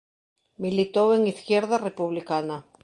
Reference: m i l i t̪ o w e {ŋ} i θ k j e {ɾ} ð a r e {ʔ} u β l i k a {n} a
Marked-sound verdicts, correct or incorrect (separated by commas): correct, correct, incorrect, correct